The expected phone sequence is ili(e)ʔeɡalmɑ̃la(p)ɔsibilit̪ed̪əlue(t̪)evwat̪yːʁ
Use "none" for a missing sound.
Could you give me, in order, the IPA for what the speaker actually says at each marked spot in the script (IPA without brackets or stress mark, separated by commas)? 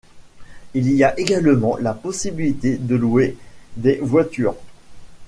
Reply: a, p, d̪